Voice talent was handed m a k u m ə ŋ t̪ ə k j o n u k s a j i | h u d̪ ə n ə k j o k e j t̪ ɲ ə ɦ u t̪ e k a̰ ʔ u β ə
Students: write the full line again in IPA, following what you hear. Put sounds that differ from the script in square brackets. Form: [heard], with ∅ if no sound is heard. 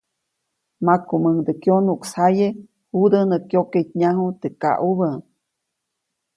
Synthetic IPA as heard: m a k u m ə ŋ [d̪] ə k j o n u k s a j [e] | h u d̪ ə n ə k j o k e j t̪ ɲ [a] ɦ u t̪ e k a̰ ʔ u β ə